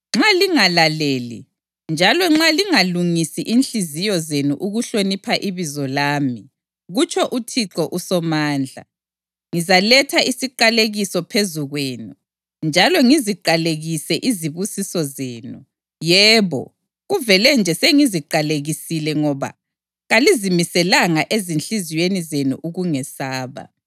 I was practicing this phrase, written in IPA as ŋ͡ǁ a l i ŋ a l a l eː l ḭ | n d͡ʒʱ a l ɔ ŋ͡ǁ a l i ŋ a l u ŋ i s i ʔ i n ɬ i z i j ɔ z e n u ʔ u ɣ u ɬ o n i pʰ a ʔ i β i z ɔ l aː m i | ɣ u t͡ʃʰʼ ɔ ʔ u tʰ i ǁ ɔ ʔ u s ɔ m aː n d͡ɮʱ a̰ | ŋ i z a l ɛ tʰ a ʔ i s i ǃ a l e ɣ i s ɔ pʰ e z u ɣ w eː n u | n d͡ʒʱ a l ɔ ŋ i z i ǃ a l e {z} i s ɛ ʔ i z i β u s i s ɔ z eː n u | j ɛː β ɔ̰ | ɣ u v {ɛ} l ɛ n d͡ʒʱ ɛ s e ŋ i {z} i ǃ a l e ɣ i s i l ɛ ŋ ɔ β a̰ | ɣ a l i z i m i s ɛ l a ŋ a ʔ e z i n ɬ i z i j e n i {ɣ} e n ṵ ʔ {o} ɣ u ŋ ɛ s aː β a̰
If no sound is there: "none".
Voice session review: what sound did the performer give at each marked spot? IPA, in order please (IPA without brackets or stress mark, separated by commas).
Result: ɣ, ɛ, z, z, u